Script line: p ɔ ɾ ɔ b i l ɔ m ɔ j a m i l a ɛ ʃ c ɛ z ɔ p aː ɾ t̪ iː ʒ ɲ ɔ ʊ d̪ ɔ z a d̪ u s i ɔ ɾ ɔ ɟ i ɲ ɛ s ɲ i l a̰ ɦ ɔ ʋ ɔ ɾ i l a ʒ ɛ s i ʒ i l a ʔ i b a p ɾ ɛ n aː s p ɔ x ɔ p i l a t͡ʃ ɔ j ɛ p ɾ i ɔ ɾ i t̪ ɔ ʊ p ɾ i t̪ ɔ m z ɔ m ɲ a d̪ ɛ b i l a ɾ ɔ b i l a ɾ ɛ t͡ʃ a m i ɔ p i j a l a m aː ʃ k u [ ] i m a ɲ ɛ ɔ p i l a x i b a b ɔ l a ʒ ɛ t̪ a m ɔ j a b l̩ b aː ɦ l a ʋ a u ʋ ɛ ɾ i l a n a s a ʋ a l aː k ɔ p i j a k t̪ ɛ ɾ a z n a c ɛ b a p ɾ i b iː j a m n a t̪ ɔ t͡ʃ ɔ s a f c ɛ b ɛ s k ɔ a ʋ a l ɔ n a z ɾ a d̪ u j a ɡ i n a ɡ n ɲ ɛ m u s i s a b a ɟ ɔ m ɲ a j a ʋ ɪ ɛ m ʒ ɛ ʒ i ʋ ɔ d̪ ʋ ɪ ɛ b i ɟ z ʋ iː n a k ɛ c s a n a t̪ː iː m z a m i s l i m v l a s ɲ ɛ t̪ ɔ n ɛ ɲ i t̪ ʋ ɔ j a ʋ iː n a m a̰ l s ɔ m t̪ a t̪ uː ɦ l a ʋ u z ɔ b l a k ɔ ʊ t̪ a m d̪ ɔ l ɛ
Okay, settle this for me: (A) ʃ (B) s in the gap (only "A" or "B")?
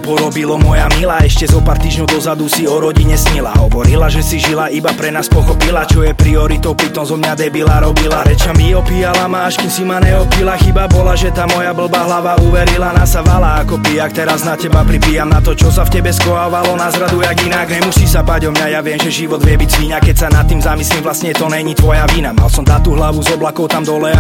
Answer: B